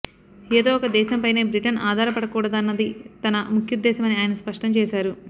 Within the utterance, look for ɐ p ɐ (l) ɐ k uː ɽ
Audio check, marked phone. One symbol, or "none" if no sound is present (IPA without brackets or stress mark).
ɽ